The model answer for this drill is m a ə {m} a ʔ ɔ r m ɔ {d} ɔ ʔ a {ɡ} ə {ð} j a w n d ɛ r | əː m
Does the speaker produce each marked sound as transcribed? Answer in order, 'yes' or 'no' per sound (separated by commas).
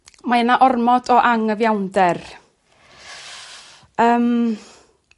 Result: no, yes, no, no